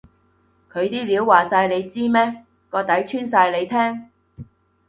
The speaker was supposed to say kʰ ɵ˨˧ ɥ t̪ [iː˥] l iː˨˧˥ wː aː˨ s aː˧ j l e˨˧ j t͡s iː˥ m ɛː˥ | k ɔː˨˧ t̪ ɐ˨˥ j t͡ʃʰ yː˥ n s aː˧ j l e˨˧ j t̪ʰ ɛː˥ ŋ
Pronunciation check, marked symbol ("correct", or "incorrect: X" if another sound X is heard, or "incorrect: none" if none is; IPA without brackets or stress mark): correct